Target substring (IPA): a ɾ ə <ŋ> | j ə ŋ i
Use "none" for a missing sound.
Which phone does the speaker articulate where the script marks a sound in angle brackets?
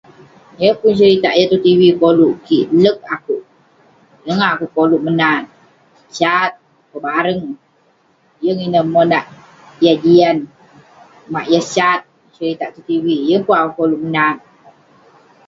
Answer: ŋ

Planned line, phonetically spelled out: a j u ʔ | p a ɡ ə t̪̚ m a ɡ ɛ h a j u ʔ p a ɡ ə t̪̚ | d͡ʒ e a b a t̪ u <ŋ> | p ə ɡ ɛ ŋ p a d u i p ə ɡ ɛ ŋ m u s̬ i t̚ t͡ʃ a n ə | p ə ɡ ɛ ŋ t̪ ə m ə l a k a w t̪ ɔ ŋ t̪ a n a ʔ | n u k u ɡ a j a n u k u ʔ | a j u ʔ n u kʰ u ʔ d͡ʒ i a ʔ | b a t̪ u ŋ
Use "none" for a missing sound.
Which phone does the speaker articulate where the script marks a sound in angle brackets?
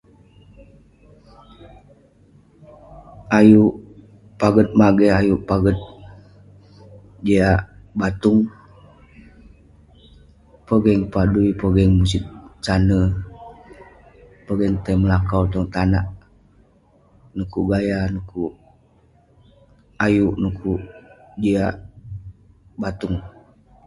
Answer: ŋ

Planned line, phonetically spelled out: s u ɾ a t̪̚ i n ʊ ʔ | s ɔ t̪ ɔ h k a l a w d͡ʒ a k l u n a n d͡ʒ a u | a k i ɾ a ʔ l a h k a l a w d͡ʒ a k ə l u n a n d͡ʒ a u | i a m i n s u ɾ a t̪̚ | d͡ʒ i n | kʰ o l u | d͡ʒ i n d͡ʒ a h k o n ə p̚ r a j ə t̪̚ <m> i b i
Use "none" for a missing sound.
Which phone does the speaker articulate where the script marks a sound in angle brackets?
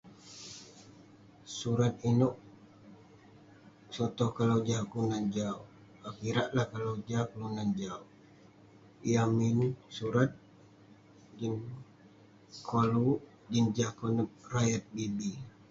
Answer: b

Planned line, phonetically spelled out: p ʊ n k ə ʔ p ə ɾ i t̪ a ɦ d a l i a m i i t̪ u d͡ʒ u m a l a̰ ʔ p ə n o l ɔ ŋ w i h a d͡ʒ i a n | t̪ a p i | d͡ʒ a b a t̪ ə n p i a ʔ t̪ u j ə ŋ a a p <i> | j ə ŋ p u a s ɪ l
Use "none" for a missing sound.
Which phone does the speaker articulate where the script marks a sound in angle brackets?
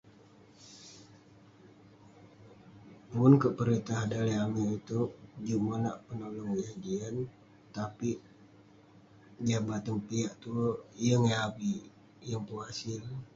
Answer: i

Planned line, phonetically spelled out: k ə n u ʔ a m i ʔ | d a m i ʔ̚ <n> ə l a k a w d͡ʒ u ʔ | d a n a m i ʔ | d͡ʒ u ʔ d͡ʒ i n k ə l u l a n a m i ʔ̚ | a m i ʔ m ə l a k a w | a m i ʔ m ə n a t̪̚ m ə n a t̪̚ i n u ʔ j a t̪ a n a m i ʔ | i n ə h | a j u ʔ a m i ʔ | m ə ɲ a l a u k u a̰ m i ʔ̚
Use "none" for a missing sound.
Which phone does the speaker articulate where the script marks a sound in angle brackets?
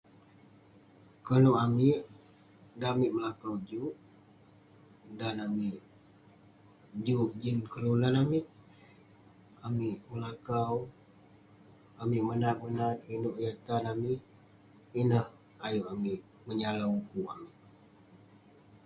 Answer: m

